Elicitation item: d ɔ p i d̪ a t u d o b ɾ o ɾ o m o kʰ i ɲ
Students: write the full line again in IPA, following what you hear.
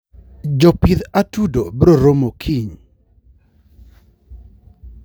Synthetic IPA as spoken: d͡ʒ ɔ p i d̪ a t u d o b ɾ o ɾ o m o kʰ i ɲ